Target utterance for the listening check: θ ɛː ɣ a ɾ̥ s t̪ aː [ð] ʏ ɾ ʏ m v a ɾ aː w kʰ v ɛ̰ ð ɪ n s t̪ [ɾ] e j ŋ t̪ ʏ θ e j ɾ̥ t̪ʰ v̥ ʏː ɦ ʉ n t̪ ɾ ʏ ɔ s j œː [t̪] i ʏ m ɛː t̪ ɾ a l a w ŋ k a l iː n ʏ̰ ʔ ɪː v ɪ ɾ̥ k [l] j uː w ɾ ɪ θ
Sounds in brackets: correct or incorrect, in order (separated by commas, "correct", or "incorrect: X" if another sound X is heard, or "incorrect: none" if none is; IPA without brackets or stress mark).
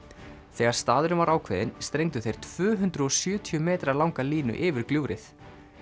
correct, correct, incorrect: t̪ʰ, correct